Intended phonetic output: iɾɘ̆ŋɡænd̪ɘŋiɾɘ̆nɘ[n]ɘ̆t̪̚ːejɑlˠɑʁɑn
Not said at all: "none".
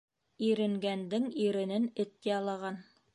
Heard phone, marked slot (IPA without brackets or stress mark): n